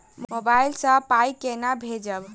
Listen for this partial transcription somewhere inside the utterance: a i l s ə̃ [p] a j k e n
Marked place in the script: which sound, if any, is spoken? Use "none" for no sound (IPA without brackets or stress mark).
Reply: p